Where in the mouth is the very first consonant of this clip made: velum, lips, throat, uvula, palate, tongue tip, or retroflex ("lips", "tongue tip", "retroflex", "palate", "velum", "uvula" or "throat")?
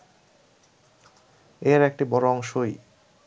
tongue tip